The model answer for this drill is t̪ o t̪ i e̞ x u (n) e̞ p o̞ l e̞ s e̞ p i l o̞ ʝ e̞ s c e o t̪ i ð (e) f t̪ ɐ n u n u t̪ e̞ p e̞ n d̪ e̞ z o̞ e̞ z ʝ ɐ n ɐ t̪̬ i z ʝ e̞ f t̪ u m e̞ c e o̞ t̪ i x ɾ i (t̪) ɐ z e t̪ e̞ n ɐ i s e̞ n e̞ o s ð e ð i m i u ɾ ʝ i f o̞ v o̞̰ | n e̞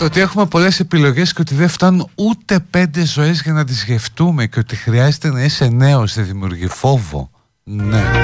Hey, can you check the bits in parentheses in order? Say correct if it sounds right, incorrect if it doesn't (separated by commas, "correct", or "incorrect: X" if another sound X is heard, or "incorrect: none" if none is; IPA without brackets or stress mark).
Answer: incorrect: m, correct, incorrect: none